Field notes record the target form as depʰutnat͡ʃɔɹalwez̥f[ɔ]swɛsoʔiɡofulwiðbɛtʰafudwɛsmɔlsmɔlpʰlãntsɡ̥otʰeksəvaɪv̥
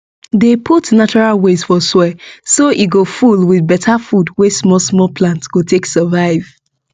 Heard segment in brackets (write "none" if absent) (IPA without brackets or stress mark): ɔ